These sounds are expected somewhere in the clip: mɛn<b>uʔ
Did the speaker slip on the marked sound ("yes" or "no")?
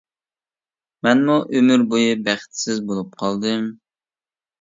yes